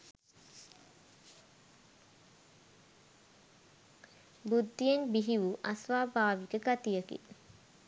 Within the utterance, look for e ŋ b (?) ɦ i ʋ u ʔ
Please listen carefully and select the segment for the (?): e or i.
i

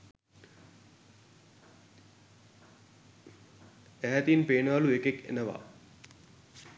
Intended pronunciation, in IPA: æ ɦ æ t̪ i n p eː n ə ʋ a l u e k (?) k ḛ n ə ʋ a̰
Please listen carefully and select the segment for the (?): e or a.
e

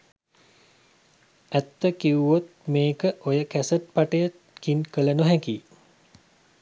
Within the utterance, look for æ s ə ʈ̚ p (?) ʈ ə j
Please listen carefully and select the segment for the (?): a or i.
a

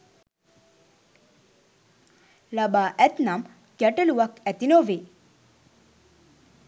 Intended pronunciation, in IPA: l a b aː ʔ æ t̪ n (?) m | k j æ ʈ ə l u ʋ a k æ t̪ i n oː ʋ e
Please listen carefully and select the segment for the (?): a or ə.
a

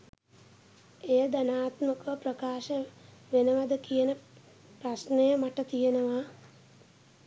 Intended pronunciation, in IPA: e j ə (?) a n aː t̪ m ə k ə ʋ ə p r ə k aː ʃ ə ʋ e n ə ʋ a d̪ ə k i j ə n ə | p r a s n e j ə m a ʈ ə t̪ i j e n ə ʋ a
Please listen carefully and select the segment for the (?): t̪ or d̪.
d̪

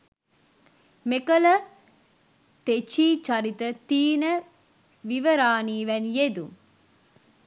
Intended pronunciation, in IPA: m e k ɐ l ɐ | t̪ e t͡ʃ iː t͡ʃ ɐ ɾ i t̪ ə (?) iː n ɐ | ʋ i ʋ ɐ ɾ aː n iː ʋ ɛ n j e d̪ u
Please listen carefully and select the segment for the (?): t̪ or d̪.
t̪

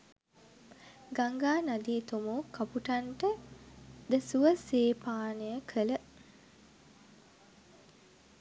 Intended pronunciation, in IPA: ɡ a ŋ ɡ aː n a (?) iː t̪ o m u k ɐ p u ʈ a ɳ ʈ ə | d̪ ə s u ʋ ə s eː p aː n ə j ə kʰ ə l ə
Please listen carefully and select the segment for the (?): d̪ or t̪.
d̪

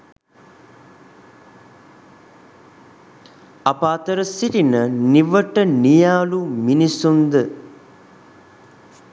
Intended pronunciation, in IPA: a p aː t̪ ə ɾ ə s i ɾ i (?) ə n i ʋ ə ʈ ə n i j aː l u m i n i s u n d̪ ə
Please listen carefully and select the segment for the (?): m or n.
n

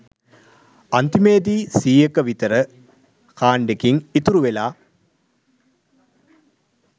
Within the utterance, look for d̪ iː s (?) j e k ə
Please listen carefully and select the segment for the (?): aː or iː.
iː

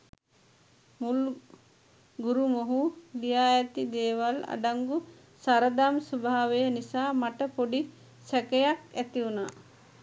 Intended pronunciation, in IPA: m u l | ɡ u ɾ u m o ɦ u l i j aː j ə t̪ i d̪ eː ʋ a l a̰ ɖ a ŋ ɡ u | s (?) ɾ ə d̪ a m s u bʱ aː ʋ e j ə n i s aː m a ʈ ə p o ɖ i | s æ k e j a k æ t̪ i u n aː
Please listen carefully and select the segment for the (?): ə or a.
a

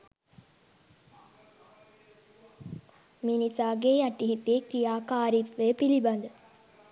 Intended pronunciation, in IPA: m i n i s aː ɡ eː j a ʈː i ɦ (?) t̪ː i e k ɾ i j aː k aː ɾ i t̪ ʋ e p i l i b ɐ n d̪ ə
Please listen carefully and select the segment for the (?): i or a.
i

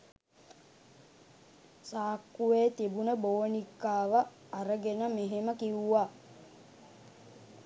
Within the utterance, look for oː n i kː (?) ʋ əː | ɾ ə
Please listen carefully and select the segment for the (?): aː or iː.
aː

